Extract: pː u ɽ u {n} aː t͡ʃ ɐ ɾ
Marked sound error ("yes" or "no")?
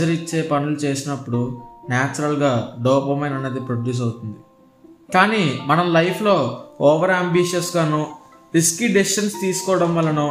no